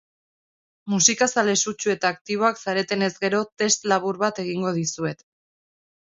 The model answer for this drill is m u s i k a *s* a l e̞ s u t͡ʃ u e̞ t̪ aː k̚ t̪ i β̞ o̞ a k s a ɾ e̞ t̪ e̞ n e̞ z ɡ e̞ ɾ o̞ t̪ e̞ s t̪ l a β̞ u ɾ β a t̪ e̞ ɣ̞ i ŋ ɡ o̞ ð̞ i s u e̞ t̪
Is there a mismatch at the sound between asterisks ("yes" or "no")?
no